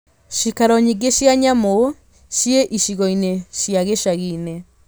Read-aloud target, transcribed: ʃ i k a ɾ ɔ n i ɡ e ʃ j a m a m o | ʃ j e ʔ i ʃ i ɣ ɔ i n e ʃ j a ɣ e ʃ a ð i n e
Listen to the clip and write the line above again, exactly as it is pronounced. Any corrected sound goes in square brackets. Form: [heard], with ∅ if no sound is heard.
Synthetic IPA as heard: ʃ i k a ɾ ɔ [ɲ] i ɡ e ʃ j a [ɲ] a m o | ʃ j e ʔ i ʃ i ɣ ɔ i n e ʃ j a ɣ e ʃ a [ɣ] i n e